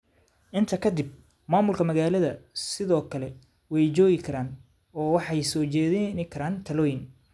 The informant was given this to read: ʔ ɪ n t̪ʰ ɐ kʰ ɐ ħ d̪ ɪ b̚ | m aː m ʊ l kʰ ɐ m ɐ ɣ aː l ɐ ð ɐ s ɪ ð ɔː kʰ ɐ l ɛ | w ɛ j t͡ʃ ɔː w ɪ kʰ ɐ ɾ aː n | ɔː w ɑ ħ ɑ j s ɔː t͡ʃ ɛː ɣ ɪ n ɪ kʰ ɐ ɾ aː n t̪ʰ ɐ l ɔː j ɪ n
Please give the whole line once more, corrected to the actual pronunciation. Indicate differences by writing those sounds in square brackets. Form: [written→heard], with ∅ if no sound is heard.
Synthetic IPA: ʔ ɪ n t̪ʰ ɐ kʰ ɐ [ħ→∅] d̪ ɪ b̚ | m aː m ʊ l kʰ ɐ m ɐ ɣ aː l ɐ ð ɐ s ɪ ð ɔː kʰ ɐ l ɛ | w ɛ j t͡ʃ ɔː [w→ɣ] ɪ kʰ ɐ ɾ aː n | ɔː w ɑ ħ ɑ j s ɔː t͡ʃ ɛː [ɣ→ð] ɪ n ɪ kʰ ɐ ɾ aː n t̪ʰ ɐ l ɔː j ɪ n